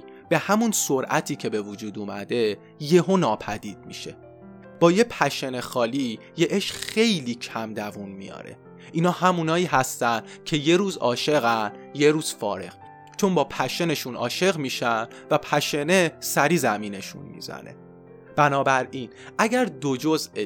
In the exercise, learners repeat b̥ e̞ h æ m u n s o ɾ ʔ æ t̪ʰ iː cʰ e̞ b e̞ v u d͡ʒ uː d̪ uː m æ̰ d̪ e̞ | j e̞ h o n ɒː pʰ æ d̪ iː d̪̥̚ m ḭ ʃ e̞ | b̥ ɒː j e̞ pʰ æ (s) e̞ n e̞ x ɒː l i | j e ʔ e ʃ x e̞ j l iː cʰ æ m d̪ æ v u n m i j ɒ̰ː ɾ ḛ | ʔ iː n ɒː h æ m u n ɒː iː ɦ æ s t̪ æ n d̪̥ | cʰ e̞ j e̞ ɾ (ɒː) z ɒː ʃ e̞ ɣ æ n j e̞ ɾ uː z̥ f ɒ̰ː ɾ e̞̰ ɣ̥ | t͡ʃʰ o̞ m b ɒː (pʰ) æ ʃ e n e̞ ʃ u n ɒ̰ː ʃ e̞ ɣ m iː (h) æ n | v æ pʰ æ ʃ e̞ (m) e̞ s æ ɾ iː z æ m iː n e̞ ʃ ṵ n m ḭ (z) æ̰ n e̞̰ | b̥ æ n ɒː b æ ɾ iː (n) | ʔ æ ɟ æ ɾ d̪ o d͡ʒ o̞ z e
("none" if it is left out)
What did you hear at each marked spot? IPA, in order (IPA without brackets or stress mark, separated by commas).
ʃ, uː, pʰ, ʃ, n, z, n